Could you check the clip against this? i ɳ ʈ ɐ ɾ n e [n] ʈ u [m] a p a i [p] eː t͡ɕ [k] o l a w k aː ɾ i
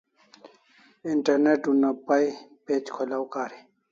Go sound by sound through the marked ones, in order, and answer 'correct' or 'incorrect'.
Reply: incorrect: none, incorrect: n, correct, incorrect: kʰ

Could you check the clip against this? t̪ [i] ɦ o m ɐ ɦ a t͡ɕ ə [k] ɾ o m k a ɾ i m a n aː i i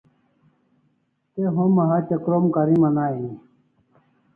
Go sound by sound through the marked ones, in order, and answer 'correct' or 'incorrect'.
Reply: incorrect: e, correct

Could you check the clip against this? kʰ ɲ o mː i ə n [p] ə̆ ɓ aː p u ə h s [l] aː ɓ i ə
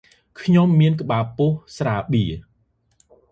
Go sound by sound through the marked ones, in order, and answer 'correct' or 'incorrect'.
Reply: incorrect: k, incorrect: r

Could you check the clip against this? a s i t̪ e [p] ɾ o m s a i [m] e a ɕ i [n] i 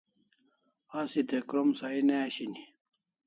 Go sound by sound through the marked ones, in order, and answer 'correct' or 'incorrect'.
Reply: incorrect: k, incorrect: n, correct

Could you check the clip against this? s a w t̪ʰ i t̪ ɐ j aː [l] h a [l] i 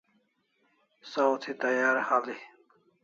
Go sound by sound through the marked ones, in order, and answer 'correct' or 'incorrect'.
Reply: incorrect: ɾ, correct

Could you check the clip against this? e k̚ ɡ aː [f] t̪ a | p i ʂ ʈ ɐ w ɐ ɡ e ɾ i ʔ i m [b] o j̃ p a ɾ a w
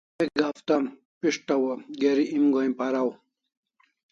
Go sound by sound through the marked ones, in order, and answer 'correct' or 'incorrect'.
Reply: correct, incorrect: ɡ

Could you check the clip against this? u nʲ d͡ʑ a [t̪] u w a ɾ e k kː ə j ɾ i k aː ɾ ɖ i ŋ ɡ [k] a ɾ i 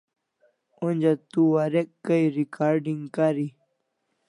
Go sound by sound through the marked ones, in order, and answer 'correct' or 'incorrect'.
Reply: correct, correct

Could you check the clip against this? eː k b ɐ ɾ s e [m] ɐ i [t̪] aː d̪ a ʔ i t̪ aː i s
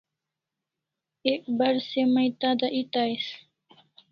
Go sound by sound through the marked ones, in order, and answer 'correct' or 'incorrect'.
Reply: correct, correct

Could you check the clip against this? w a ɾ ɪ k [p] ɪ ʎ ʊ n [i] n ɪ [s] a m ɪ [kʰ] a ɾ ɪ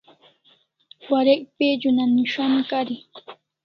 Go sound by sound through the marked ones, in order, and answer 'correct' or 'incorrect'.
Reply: correct, incorrect: a, incorrect: ʃ, incorrect: k

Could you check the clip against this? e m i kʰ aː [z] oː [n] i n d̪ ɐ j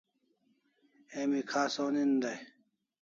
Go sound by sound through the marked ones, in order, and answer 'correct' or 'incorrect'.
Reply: incorrect: s, correct

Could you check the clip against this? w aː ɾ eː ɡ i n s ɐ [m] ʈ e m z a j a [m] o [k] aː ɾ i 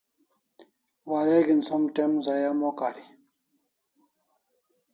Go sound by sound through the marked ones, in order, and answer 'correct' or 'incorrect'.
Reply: correct, correct, correct

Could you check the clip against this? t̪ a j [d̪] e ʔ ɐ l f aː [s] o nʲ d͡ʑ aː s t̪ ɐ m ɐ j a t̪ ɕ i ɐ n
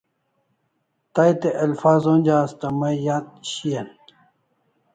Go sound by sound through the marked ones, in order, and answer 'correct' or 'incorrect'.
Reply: incorrect: t̪, incorrect: z

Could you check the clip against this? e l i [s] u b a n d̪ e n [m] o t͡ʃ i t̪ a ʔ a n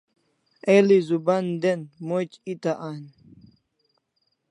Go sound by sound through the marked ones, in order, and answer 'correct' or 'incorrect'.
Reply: incorrect: z, correct

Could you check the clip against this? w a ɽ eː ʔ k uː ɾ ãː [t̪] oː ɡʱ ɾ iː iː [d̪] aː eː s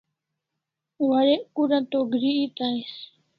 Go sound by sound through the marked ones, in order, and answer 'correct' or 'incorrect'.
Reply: correct, incorrect: t̪

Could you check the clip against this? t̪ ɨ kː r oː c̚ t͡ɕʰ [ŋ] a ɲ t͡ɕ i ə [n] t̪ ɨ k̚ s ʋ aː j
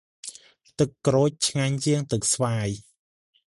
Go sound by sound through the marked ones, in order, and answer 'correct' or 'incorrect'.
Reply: correct, incorrect: ŋ

